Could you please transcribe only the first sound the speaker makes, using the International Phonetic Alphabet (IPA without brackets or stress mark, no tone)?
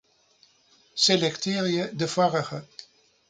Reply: s